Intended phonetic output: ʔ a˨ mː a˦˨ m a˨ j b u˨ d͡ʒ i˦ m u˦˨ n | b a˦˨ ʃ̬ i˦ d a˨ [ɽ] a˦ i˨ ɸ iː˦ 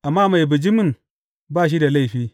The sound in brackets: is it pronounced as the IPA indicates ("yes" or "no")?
no